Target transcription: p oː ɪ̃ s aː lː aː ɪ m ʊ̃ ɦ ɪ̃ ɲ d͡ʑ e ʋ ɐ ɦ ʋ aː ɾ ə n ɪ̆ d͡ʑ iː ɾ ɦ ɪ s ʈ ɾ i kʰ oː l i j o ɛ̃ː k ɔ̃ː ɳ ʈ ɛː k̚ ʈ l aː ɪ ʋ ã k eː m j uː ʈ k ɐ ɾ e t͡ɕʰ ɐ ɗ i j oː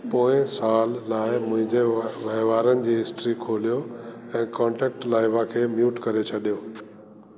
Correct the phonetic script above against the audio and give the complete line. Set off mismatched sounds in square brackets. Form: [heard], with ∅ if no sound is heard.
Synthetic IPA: p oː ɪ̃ s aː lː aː ɪ m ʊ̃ ɦ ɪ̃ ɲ d͡ʑ e ʋ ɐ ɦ ʋ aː ɾ ə n ɪ̆ d͡ʑ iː [∅] ɦ ɪ s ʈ ɾ i kʰ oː l i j o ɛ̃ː k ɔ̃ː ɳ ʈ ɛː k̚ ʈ l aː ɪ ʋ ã [kʰ] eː m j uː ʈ k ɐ ɾ e t͡ɕʰ ɐ ɗ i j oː